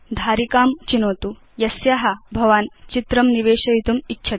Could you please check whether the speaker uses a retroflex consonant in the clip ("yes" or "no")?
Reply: no